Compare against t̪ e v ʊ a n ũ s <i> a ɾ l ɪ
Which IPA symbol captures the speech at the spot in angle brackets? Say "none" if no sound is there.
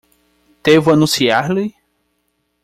i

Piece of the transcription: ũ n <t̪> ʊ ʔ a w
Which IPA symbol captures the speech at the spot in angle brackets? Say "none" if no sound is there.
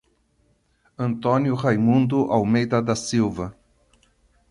d̪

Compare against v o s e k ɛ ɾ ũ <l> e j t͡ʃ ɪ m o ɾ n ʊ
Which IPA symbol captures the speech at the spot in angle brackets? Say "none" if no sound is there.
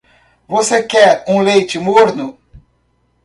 l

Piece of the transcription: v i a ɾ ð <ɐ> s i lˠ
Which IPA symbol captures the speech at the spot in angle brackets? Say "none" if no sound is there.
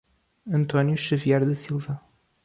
ɐ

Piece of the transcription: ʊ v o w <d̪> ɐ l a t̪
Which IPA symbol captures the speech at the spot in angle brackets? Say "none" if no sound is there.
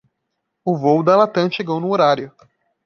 d̪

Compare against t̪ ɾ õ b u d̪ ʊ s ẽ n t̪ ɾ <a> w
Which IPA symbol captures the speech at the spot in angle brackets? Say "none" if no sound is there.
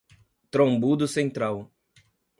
a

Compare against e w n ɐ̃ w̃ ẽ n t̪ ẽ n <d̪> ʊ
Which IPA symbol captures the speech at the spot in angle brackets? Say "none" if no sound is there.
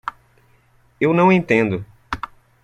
d̪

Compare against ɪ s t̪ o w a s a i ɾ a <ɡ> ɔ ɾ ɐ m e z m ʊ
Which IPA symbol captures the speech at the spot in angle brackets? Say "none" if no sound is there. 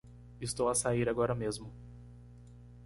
ɡ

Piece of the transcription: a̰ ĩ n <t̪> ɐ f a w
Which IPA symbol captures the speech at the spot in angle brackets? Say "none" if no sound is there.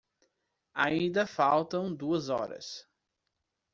d̪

